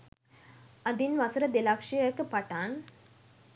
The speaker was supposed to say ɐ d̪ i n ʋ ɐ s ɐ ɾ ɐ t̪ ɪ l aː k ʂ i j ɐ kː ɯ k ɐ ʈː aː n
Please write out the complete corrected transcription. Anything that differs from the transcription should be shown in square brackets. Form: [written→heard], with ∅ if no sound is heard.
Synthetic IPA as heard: ɐ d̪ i n ʋ ɐ s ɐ ɾ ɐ [t̪→d̪] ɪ l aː k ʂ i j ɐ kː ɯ [k→p] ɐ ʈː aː n